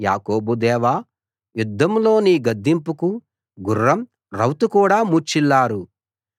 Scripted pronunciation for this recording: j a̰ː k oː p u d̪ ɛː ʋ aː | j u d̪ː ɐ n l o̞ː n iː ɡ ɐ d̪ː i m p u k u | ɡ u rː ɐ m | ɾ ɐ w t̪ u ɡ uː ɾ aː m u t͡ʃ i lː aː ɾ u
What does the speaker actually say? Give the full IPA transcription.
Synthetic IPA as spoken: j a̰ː k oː b u d̪ ɛː ʋ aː | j u d̪ː ɐ m l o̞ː n iː ɡ ɐ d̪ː i m p u k u | ɡ u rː ɐ m | ɾ ɐ w t̪ u k uː ɽ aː m u t͡ʃ i lː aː ɾ u